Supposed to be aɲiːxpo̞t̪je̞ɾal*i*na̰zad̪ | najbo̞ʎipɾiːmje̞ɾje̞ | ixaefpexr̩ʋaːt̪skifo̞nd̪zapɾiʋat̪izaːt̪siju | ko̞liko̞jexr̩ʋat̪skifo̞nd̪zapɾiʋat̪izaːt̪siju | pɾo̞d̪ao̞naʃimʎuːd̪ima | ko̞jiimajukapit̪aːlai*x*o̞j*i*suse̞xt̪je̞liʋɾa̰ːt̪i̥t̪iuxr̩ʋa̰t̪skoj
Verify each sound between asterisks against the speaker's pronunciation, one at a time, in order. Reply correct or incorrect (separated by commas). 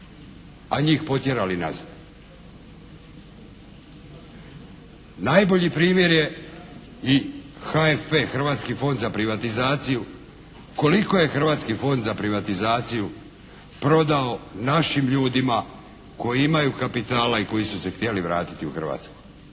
correct, incorrect, correct